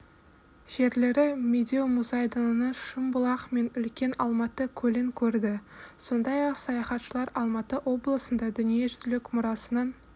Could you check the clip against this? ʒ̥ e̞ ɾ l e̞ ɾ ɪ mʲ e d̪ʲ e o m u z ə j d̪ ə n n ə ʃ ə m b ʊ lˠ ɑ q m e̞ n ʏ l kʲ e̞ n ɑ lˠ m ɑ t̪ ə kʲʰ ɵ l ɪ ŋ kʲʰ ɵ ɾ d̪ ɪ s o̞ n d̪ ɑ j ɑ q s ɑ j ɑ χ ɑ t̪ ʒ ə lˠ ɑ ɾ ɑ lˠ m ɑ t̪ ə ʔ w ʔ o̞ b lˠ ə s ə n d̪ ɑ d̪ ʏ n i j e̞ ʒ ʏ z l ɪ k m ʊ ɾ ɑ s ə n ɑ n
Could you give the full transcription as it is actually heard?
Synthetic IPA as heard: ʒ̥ e̞ ɾ l e̞ ɾ ɪ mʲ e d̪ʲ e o m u z ɑ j d̪ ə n n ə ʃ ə m b ʊ lˠ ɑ q m e̞ n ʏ l kʲ e̞ n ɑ lˠ m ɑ t̪ ə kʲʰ ɵ l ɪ ŋ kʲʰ ɵ ɾ d̪ ɪ s o̞ n d̪ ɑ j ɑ q s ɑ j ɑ χ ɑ t̪ ʃ ə lˠ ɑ ɾ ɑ lˠ m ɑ t̪ ə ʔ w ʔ o̞ b lˠ ə s ə n d̪ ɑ d̪ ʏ n i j e̞ ʒ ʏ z l ɪ k m ʊ ɾ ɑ s ə n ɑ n

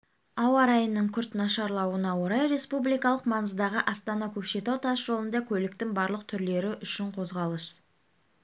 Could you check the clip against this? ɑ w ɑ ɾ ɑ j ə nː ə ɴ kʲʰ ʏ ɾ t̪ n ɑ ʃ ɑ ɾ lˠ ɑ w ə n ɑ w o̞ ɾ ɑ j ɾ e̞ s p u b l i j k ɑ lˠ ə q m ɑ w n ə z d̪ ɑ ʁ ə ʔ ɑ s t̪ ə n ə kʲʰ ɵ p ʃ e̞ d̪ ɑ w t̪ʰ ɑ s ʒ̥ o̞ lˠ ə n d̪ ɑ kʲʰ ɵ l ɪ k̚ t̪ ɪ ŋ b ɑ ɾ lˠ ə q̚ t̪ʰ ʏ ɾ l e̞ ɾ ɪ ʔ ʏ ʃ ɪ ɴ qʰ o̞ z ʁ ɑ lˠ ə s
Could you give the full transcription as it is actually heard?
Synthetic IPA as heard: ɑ w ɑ ɾ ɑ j ə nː ə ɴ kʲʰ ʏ ɾ t̪ n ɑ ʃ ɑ ɾ lˠ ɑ w ə n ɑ w o̞ ɾ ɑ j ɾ e̞ s p u b l i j k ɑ lˠ ə q m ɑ n ə z d̪ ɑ ʁ ə ʔ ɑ s t̪ ɑ n ɑ kʲʰ ɵ p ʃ e̞ t̪ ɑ w t̪ʰ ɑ s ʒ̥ o̞ lˠ ə n d̪ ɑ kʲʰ ɵ l ɪ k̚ t̪ ɪ ŋ b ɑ ɾ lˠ ə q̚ t̪ʰ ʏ ɾ l e̞ ɾ ɪ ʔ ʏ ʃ ɪ ɴ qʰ o̞ z ʁ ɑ lˠ ə s

